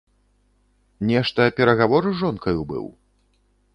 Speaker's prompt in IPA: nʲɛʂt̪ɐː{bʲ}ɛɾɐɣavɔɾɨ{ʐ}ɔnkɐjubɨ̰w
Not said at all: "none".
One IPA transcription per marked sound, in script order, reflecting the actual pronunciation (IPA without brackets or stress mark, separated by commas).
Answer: pʲ, ʐ